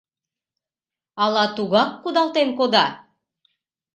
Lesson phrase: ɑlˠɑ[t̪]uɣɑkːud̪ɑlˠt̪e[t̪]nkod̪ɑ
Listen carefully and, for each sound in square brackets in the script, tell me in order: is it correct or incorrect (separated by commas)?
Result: correct, incorrect